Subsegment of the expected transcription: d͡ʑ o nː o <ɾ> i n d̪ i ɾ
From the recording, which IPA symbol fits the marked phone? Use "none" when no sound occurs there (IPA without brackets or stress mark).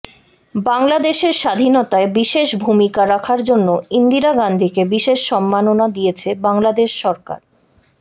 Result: none